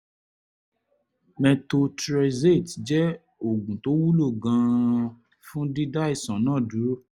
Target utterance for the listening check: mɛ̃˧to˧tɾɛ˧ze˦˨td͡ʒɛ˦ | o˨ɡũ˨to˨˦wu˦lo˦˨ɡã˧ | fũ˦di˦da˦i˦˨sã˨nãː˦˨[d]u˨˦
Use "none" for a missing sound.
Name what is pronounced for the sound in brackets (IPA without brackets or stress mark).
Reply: d